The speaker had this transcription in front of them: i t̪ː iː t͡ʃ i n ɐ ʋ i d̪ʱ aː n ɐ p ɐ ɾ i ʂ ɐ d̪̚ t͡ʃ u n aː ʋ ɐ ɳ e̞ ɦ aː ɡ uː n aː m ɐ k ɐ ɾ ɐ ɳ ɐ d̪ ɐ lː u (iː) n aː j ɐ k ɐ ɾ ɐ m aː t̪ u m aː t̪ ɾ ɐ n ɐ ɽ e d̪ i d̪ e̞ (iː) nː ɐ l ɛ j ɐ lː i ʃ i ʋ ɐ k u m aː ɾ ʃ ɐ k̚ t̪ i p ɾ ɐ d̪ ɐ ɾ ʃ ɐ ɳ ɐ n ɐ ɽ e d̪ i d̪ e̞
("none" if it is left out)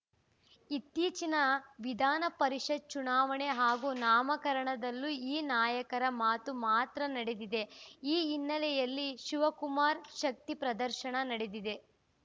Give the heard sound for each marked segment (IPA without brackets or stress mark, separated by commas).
iː, iː